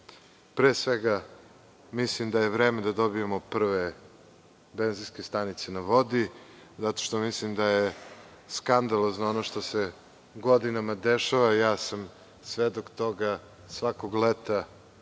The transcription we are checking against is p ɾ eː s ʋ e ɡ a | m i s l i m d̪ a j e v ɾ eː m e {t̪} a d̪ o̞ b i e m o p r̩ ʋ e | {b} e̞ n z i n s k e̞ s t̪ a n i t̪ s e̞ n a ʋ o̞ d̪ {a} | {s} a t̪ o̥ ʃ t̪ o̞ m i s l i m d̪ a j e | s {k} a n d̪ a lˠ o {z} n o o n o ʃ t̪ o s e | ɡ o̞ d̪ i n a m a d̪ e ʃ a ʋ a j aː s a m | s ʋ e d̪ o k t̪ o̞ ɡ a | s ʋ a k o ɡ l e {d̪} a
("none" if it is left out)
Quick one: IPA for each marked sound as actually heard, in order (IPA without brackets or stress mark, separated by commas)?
d̪, b, i, z, k, z, t̪